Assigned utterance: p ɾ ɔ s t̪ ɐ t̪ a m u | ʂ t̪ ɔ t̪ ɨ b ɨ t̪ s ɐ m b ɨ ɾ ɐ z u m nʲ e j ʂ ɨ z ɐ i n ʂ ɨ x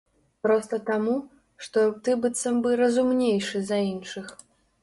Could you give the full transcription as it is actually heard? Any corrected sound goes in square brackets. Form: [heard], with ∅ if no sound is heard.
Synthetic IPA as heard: p ɾ ɔ s t̪ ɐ t̪ a m u | ʂ t̪ ɔ t̪ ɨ b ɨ t̪ s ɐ m b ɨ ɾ ɐ z u m nʲ e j ʂ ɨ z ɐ i n ʂ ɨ x